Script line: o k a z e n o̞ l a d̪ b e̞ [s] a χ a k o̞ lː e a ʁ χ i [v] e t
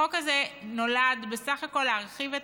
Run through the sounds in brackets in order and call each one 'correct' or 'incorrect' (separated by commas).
correct, correct